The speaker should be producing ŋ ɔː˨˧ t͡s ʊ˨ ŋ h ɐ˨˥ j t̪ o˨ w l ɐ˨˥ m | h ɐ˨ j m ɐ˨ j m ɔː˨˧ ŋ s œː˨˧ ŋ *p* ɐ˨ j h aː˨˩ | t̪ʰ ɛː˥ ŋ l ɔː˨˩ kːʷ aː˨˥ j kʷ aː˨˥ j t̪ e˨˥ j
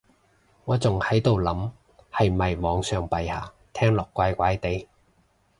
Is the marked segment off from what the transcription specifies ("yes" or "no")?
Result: no